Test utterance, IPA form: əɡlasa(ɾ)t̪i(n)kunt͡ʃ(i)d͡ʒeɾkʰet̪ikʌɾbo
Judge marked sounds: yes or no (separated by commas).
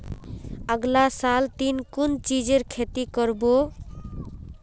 no, yes, yes